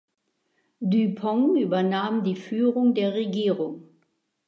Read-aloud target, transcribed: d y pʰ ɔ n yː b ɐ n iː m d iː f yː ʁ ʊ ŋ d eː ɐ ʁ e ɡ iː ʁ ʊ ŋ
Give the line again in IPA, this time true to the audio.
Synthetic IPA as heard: d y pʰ ɔ ŋ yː b ɐ n aː m d iː f yː ʁ ʊ ŋ d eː ɐ ʁ e ɡ iː ʁ ʊ ŋ